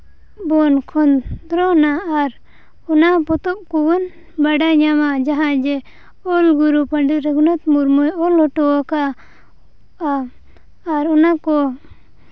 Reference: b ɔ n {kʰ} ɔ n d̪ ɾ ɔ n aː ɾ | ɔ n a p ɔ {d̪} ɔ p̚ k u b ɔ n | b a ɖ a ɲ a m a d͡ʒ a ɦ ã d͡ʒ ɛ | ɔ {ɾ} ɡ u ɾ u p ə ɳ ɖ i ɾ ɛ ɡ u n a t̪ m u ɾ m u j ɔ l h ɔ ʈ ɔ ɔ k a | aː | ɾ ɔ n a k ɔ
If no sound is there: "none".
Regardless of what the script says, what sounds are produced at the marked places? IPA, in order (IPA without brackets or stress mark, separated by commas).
kʰ, t̪, l